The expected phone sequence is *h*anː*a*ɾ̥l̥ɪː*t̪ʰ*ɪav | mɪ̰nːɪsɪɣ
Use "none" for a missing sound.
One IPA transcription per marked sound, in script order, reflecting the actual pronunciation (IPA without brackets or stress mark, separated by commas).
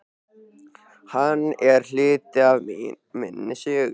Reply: h, ɛ, t̪